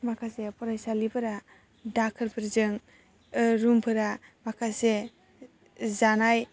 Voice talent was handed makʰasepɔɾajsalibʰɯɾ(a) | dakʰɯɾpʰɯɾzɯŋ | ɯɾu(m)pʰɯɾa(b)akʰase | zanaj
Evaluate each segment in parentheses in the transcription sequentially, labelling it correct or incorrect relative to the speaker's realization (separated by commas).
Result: correct, correct, incorrect